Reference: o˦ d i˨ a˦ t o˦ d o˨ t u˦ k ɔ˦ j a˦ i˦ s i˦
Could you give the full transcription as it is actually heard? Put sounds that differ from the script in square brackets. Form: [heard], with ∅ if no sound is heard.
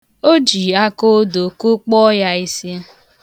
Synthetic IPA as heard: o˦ [d͡ʒ] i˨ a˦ [k] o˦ d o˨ [k] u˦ [k͡p] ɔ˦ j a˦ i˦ s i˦